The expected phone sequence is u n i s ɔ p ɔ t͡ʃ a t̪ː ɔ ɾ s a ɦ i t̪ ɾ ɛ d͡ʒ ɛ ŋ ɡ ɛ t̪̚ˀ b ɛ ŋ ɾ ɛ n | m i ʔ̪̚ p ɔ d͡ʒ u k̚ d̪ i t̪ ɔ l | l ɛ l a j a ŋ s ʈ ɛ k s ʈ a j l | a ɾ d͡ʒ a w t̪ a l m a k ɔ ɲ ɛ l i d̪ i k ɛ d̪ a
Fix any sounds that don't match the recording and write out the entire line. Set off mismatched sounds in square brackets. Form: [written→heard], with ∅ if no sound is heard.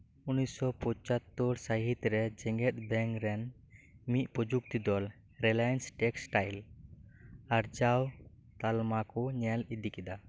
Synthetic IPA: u n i s ɔ p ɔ t͡ʃ a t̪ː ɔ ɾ s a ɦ i t̪ ɾ ɛ d͡ʒ ɛ ŋ ɡ ɛ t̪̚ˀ b ɛ ŋ ɾ ɛ n | m i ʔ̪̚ p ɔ d͡ʒ u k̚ [d̪→t̪] i [t̪→d̪] ɔ l | [l→ɾ] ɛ l a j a [ŋ→n] s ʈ ɛ k s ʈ a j l | a ɾ d͡ʒ a w t̪ a l m a k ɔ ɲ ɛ l i d̪ i k ɛ d̪ a